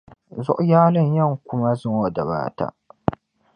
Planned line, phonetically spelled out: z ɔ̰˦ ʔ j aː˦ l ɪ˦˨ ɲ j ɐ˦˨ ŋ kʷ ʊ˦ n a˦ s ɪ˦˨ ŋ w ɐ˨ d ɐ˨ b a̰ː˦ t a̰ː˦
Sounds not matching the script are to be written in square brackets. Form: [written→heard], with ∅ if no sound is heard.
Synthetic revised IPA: z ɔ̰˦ ʔ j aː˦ l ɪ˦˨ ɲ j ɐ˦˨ ŋ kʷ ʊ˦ [n→m] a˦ [s→z] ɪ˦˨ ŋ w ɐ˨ d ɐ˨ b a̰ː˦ t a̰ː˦